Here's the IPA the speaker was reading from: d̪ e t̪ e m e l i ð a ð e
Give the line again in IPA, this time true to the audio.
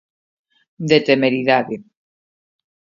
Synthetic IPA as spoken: d̪ e t̪ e m e ɾ i ð a ð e